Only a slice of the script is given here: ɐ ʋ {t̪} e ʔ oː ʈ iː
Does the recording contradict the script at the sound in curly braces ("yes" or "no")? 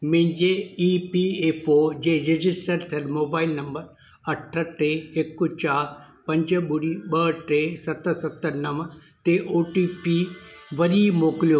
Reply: no